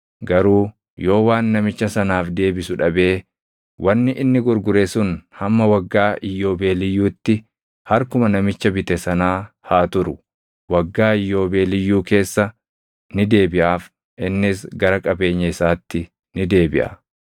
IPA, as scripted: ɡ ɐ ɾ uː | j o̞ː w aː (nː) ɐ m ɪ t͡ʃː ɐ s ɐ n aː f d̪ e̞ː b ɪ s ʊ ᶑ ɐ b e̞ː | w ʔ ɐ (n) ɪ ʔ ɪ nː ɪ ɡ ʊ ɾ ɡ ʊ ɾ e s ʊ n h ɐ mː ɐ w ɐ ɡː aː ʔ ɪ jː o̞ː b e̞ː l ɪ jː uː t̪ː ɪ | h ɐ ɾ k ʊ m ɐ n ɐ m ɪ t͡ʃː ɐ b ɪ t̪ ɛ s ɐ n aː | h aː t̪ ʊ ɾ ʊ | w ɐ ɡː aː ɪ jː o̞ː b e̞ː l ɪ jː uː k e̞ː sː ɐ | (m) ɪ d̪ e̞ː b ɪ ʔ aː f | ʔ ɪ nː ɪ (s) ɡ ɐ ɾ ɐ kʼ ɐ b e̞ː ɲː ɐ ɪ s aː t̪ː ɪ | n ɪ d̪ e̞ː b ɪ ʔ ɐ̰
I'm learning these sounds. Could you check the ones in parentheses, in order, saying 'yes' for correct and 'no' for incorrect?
yes, no, no, yes

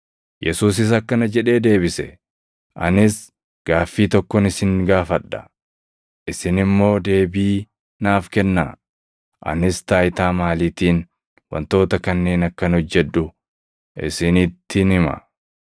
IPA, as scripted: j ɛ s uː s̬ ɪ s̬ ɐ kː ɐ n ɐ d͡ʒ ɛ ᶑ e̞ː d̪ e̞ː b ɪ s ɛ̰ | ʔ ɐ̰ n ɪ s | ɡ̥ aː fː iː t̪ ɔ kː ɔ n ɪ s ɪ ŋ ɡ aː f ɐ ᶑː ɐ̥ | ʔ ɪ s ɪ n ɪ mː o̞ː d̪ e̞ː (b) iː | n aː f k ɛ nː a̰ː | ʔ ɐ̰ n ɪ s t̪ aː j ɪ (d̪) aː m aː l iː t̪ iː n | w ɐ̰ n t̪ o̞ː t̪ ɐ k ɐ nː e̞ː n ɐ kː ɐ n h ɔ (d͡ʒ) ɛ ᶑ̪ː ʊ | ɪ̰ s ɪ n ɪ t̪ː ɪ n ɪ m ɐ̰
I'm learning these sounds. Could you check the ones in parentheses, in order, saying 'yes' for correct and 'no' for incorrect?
yes, no, no

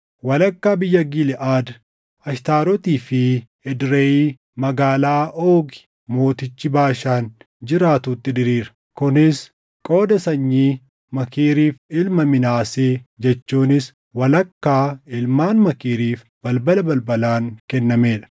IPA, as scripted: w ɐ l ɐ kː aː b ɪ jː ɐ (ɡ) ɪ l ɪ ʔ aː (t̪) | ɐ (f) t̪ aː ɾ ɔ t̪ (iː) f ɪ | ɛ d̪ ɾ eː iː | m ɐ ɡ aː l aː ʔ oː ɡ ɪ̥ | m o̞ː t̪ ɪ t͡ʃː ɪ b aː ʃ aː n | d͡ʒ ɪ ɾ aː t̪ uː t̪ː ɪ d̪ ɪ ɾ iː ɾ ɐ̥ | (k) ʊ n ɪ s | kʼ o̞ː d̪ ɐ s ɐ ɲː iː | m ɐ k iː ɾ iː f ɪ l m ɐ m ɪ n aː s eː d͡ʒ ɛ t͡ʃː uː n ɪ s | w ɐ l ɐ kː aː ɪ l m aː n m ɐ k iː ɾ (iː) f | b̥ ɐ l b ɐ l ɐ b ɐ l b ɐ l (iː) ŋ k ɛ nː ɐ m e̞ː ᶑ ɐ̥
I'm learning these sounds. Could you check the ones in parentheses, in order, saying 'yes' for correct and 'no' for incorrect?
yes, no, no, yes, yes, yes, no

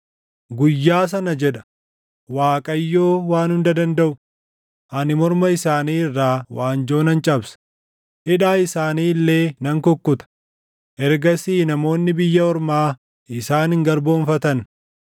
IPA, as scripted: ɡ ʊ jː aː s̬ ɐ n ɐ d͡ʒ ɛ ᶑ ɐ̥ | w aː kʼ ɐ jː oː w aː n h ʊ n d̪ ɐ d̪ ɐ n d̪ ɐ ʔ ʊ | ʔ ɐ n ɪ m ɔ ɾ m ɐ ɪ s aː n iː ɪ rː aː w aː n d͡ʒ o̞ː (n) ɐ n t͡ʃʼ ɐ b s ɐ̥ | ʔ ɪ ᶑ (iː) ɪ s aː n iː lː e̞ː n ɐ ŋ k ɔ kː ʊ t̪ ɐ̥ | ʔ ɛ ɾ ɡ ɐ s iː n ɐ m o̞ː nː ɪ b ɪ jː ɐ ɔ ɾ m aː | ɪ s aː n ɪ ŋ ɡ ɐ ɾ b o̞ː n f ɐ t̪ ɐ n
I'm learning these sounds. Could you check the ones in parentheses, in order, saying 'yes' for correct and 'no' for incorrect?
yes, no

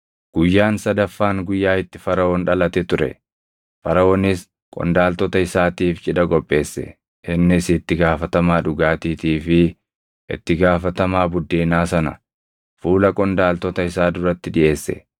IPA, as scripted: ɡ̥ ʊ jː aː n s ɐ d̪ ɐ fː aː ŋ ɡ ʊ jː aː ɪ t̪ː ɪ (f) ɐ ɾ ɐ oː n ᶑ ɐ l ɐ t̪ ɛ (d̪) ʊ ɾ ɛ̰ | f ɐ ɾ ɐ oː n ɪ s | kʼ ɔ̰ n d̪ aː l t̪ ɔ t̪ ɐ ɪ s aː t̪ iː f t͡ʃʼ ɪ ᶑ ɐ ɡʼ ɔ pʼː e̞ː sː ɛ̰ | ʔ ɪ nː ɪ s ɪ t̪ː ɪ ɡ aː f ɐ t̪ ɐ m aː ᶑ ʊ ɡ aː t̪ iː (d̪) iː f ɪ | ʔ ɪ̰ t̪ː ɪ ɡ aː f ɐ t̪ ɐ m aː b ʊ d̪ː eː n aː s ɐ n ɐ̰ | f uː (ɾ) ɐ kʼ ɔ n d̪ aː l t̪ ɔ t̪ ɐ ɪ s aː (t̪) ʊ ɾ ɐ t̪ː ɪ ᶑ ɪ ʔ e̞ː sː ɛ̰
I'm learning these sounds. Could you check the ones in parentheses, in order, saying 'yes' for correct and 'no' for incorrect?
yes, no, no, no, no

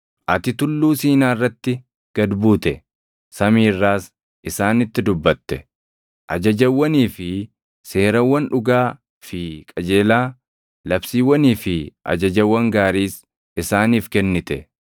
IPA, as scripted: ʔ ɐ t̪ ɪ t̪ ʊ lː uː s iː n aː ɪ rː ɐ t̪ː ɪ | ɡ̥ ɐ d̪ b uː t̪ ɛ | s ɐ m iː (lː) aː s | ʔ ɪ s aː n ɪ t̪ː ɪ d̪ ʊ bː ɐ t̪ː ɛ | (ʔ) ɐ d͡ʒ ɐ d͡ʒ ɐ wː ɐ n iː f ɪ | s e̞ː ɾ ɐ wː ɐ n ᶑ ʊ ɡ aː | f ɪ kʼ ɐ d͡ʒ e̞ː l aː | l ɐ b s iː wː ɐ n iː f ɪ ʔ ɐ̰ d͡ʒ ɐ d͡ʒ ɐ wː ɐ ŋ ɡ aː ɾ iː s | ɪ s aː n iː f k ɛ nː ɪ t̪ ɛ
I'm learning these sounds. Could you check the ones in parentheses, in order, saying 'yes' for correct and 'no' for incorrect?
no, yes

